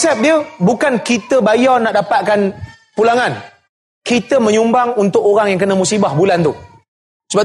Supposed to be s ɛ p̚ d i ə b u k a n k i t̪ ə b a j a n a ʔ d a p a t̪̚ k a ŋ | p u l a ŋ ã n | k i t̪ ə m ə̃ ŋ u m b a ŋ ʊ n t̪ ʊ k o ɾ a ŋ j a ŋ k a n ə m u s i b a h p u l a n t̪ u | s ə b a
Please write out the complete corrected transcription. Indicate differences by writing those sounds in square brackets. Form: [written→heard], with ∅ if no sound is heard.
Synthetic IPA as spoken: s ɛ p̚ d i ə b u k a n k i t̪ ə b a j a n a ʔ d a p a t̪̚ k a [ŋ→n] | p u l a ŋ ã n | k i t̪ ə m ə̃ [ŋ→ɲ] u m b a ŋ [ʊ→u] n t̪ ʊ k o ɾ a ŋ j a ŋ k [a→ə] n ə m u s i b a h [p→b] u l a n t̪ u | s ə b a